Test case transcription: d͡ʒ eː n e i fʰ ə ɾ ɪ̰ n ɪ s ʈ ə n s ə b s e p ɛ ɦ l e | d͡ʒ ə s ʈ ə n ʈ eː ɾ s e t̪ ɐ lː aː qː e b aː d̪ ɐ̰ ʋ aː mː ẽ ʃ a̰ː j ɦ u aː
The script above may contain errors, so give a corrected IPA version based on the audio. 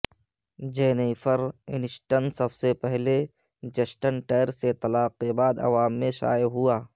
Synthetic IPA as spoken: d͡ʒ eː n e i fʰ ə ɾ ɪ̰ n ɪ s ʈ ə n s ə b s e p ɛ ɦ l e | d͡ʒ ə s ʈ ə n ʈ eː ɾ s e t̪ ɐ l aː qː e b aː d̪ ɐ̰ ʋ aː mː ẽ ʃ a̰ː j ɦ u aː

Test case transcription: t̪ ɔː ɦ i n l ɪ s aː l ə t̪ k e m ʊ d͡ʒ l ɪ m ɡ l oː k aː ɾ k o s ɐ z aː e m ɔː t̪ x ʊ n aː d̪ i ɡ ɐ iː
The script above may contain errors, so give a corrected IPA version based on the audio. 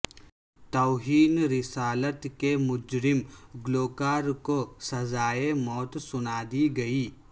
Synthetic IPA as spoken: t̪ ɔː ɦ iː n ɾ ɪ s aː l ə t̪ k e m ʊ d͡ʒ ɾ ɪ m ɡ l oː k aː ɾ k o s ɐ z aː e m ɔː t̪ s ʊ n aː d̪ i ɡ ɐ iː

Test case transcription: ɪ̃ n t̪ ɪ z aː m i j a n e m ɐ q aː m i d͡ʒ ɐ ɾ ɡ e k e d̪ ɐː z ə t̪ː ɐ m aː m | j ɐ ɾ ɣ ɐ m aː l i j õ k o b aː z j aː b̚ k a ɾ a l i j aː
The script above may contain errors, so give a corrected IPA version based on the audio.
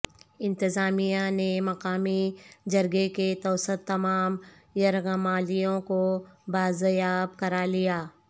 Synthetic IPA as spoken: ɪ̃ n t̪ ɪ z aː m i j a n e m ɐ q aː m i d͡ʒ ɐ ɾ ɡ e k e t̪ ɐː s ə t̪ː ɐ m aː m | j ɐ ɾ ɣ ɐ m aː l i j õ k o b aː z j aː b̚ k ɐ ɾ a l i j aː

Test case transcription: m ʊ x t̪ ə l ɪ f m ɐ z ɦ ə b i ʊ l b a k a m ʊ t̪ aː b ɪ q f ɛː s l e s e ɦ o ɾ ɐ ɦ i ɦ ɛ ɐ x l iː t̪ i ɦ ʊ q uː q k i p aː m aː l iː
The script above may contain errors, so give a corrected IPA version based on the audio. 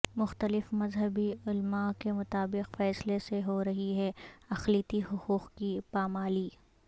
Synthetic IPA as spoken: m ʊ x t̪ ə l ɪ f m ɐ z ɦ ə b i ʊ l m a k e m ʊ t̪ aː b ɪ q f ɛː s l e s e ɦ o ɾ ɐ ɦ i ɦ ɛ ɐ x l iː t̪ i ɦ ʊ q uː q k i p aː m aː l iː

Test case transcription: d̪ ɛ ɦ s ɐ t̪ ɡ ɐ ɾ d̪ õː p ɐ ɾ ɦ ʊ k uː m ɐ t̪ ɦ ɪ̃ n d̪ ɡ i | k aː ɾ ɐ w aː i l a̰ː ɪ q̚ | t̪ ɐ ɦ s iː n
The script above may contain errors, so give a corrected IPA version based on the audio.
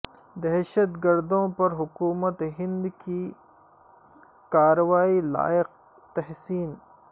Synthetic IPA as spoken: d̪ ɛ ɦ ʃ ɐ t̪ ɡ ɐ ɾ d̪ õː p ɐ ɾ ɦ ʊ k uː m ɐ t̪ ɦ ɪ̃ n d̪ k i | k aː ɾ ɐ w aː i l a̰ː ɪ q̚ | t̪ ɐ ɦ s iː n

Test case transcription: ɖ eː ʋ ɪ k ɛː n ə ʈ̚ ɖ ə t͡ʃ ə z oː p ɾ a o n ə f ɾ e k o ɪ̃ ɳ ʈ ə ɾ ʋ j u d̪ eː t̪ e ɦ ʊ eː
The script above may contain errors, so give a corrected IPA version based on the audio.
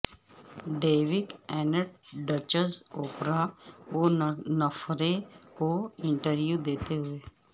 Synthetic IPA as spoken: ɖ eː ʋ ɪ k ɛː n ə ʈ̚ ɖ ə t͡ʃ ə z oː p ɾ a o n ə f ɾ e k o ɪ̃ ɳ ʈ ə ɾ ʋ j u d̪ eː t̪ e ɦ ʊ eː

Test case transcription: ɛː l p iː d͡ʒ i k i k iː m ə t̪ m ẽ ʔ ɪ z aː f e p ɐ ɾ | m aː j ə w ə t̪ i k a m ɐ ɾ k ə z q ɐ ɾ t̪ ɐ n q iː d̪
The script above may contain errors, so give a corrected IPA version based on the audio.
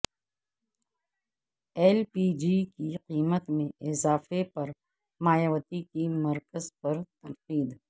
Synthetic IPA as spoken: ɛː l p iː d͡ʒ i k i q iː m ə t̪ m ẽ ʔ ɪ z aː f e p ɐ ɾ | m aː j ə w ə t̪ i k i m ɐ ɾ k ə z p ɐ ɾ t̪ ɐ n q iː d̪

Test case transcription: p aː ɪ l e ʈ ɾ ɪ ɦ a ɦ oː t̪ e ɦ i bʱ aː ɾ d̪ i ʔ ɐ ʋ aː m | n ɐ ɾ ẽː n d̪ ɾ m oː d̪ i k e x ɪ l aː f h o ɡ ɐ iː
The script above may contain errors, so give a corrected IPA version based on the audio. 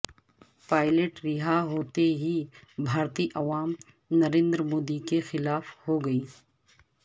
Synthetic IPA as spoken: p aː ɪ l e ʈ ɾ ɪ ɦ a ɦ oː t̪ e ɦ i bʱ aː ɾ t̪ i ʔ ɐ ʋ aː m | n ɐ ɾ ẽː n d̪ ɾ m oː d̪ i k e x ɪ l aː f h o ɡ ɐ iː

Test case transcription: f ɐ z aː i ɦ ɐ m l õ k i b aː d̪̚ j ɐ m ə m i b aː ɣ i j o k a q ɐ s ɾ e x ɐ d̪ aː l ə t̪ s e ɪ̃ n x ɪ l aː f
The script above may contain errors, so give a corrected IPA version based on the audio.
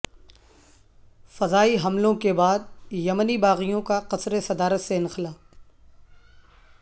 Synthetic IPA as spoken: f ɐ z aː i ɦ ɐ m l õ k e b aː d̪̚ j ɐ m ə n i b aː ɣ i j õ k a q ɐ s ɾ e s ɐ d̪ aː ɾ ə t̪ s e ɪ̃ n x ɪ l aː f

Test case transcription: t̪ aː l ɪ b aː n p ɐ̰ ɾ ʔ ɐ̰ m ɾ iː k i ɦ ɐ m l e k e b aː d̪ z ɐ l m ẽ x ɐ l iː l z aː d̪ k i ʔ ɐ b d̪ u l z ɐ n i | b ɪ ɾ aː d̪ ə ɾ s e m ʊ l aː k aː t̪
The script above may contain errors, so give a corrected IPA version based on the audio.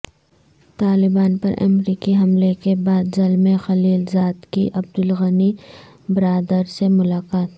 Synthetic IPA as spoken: t̪ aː l ɪ b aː n p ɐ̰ ɾ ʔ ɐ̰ m ɾ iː k i ɦ ɐ m l e k e b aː d̪ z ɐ l m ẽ x ɐ l iː l z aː d̪ k i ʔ ɐ b d̪ ʊ l ɣ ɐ n i | b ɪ ɾ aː d̪ ə ɾ s e m ʊ l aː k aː t̪

